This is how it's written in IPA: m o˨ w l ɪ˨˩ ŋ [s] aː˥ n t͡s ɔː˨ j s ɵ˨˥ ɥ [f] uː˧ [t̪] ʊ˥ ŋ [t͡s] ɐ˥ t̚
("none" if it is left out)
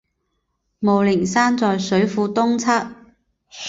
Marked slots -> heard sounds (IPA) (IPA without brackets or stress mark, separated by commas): s, f, t̪, t͡sʰ